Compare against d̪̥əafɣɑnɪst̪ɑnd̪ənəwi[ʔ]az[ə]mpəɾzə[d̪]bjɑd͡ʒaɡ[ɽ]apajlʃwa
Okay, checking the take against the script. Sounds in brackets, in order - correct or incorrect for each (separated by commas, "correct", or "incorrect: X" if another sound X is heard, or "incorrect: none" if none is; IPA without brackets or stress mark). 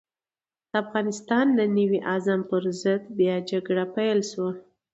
correct, incorrect: a, correct, correct